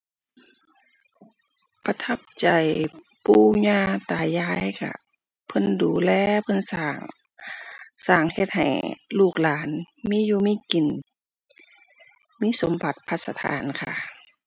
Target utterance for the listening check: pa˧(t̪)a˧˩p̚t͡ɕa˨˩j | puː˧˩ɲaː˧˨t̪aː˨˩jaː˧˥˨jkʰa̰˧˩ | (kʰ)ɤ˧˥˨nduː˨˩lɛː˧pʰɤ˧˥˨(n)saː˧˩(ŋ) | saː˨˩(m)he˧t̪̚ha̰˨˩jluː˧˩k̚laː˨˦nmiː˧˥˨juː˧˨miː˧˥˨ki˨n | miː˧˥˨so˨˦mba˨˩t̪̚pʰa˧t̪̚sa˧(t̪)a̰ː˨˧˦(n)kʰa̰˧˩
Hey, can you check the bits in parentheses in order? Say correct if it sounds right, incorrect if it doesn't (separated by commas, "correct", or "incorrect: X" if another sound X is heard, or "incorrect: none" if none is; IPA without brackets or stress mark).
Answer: incorrect: t̪ʰ, incorrect: pʰ, correct, correct, incorrect: ŋ, incorrect: t̪ʰ, correct